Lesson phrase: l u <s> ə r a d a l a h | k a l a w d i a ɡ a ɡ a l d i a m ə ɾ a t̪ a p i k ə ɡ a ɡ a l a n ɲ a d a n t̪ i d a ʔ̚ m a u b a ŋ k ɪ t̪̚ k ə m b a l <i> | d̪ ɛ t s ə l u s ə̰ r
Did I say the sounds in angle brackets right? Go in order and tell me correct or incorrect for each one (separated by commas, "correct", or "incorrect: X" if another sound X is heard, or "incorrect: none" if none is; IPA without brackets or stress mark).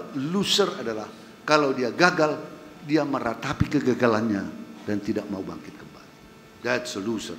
correct, correct